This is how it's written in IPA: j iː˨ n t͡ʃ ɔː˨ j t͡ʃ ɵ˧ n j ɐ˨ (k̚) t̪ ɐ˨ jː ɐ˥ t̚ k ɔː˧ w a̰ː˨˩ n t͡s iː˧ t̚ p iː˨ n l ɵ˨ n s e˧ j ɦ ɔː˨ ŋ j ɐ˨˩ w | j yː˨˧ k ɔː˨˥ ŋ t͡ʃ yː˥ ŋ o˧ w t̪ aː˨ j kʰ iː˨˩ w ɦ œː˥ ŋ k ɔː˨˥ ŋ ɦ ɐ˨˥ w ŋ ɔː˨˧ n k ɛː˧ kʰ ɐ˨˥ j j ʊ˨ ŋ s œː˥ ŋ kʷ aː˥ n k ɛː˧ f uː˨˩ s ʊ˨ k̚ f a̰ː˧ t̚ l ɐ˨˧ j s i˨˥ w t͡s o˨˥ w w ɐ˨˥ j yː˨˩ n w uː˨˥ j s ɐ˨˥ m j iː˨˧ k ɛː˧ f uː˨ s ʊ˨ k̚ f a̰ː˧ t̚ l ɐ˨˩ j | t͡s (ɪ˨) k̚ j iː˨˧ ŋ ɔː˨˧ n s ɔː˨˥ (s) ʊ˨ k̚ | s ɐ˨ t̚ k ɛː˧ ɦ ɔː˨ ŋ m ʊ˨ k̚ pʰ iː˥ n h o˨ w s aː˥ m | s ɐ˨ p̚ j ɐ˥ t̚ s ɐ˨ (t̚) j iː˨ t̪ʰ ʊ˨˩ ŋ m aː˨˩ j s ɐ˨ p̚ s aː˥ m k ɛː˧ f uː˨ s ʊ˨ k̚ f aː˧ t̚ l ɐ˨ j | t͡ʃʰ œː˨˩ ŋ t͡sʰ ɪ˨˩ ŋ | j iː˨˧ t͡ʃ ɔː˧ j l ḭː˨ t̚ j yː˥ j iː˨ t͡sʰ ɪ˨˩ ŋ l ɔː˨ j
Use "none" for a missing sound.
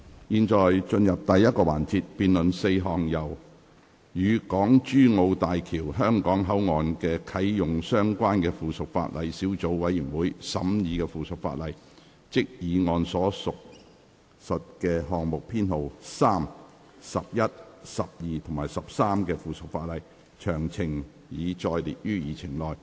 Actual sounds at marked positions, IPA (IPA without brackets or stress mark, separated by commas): p̚, ɪ˥, s, p̚